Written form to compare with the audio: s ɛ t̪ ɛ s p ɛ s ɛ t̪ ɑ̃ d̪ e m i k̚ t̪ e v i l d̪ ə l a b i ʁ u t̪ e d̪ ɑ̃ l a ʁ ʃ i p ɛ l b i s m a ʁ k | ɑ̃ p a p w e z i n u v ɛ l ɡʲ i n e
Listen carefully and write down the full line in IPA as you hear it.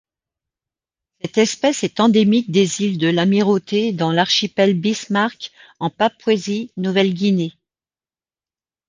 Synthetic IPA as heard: s ɛ t̪ ɛ s p ɛ s ɛ t̪ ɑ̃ d̪ e m i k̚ d̪ e z i l d̪ ə l a m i ʁ o t̪ e d̪ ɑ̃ l a ʁ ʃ i p ɛ l b i s m a ʁ k | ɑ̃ p a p w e z i n u v ɛ l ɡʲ i n e